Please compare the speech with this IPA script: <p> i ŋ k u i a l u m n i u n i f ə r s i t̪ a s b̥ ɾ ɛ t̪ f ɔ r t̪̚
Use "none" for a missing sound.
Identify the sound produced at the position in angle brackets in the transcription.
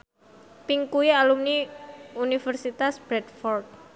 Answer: p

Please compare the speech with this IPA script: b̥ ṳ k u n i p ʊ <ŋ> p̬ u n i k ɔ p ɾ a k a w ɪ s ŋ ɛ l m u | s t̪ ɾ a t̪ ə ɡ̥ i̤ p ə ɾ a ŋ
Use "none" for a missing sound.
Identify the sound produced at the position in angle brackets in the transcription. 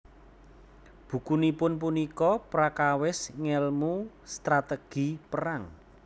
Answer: n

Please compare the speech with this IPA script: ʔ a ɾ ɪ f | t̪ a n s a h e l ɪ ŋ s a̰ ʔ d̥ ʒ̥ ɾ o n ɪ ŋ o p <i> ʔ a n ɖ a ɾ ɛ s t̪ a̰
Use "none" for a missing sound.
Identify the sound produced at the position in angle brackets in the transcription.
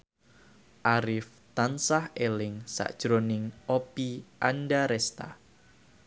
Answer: i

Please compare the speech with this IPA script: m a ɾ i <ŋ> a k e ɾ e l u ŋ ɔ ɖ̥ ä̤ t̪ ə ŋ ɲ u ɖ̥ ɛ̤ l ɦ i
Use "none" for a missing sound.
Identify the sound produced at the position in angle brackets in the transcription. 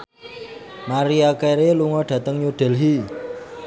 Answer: none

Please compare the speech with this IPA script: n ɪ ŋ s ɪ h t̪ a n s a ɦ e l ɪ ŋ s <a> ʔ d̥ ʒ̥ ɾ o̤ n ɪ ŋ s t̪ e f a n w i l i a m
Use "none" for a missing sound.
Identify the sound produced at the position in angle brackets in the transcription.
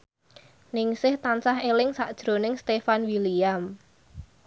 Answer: a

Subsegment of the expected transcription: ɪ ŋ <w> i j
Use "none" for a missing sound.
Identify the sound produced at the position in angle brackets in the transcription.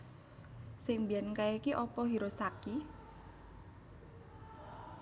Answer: b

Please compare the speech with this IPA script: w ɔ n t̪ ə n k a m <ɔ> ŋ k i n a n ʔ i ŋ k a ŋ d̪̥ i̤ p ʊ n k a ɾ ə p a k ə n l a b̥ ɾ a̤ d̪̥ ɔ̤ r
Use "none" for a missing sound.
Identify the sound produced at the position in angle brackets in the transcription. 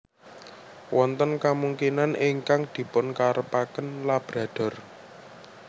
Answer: u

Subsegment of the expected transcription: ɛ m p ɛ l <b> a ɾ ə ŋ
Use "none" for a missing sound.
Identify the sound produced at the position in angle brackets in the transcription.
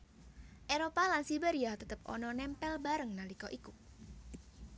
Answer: b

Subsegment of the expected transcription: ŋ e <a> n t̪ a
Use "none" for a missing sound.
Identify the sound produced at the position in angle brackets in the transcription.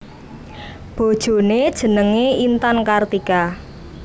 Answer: i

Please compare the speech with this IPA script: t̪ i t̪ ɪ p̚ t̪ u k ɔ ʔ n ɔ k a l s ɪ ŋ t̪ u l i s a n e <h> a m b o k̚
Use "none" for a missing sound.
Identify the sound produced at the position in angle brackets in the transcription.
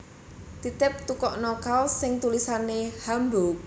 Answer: h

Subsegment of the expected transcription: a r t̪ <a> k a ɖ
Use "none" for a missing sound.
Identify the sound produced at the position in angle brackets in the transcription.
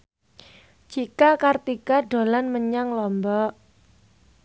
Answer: i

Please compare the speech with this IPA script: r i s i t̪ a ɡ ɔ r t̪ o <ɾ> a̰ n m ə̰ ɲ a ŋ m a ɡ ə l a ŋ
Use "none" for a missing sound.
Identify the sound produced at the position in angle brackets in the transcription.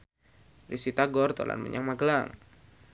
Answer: l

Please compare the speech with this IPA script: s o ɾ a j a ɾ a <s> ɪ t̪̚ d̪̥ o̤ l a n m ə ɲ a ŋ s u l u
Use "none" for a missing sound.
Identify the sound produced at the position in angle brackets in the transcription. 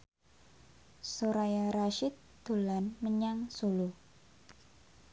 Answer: ʃ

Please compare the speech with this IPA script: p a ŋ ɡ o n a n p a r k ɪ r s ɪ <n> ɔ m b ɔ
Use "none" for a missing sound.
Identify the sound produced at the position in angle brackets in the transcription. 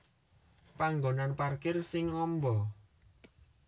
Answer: ŋ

